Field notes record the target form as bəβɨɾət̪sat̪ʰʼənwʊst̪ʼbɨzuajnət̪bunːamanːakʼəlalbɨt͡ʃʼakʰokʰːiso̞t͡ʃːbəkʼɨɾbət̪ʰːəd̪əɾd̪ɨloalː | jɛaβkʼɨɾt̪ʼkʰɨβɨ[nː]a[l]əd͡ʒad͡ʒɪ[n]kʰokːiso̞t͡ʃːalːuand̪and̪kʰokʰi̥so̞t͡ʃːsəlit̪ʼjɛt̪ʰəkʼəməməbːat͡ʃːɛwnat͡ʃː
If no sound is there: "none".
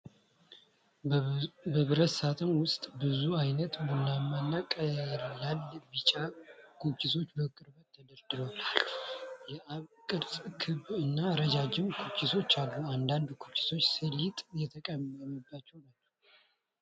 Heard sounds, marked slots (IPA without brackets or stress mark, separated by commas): nː, ɾ, m